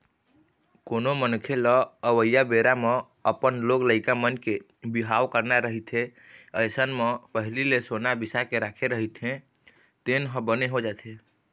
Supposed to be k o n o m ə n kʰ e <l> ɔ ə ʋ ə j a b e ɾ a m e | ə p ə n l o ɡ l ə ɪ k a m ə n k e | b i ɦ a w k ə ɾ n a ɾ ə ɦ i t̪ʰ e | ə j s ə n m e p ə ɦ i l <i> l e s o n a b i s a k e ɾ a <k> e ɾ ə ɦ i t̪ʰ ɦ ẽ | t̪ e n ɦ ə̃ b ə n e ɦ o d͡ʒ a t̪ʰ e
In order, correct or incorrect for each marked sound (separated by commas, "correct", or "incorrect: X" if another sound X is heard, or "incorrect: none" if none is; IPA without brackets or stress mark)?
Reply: correct, correct, incorrect: kʰ